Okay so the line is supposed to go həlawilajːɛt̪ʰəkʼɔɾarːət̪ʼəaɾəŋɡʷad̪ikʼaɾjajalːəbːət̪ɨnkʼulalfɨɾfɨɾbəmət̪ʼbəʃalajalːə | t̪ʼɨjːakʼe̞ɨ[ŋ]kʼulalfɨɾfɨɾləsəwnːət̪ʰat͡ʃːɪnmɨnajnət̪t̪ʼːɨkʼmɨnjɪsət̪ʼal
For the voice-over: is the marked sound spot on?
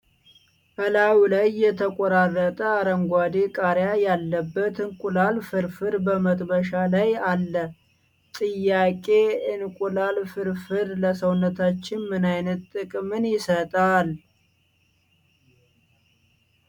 no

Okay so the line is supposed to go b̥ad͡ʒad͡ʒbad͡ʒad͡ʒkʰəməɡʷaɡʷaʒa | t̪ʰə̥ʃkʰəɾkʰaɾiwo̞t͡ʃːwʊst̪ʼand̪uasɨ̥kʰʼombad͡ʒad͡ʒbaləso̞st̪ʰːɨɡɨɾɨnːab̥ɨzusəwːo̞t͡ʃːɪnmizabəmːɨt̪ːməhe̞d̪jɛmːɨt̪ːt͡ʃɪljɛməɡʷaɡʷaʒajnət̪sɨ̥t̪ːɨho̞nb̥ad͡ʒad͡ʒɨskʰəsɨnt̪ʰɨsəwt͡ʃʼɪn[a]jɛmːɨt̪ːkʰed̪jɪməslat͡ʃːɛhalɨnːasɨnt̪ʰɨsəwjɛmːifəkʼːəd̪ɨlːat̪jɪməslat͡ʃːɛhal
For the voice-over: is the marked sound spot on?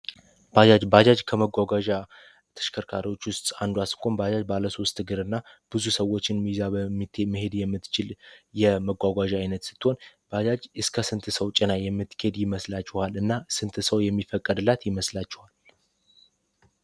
yes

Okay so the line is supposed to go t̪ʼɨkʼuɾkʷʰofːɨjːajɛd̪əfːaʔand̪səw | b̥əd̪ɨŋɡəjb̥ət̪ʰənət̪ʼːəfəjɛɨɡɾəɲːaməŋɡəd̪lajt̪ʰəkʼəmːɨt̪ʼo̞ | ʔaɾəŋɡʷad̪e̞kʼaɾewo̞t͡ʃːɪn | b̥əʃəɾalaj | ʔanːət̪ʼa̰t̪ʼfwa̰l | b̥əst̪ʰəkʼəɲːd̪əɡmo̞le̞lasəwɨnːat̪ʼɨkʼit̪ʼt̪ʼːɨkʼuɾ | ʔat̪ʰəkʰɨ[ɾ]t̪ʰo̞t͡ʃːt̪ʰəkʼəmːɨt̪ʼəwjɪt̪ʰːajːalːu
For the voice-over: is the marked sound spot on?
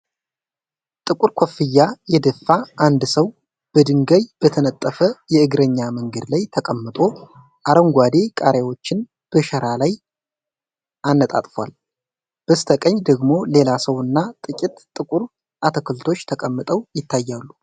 no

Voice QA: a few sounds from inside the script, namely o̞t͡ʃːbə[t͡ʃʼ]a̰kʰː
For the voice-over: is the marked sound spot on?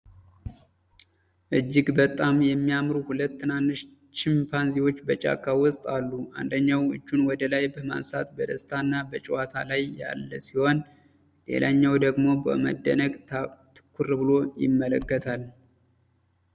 yes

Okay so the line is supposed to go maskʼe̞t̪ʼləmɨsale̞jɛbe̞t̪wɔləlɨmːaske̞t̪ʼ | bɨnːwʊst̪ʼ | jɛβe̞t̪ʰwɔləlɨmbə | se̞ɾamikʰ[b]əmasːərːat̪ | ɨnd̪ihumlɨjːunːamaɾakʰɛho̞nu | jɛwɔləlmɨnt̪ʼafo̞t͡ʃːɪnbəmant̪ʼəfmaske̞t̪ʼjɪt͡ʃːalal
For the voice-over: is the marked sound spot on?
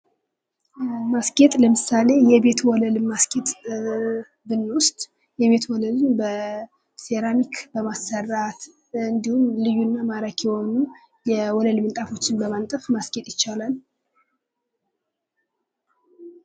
yes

